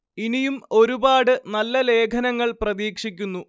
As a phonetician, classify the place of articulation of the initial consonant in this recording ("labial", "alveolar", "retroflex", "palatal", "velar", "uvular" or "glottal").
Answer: alveolar